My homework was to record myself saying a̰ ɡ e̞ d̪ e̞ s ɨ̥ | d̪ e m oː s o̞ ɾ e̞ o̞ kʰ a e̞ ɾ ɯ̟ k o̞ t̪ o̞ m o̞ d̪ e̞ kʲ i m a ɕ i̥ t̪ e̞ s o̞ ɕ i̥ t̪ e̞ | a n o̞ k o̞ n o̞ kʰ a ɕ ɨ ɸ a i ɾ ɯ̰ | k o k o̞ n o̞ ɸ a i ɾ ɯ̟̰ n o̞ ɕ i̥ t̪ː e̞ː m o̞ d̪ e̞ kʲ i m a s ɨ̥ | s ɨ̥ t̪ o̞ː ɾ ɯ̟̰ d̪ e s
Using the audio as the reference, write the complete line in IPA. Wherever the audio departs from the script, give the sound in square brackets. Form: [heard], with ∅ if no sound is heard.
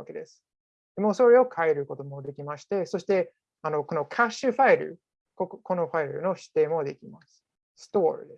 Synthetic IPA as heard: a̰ [k] e̞ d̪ e̞ s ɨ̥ | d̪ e m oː s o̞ ɾ e̞ o̞ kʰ a e̞ ɾ ɯ̟ k o̞ t̪ o̞ m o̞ d̪ e̞ kʲ i m a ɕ i̥ t̪ e̞ s o̞ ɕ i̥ t̪ e̞ | a n o̞ k o̞ n o̞ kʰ a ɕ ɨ ɸ a i ɾ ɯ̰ | k o k o̞ n o̞ ɸ a i ɾ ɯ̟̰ n o̞ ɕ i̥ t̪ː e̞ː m o̞ d̪ e̞ kʲ i m a s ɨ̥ | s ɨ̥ t̪ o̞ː ɾ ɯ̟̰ d̪ e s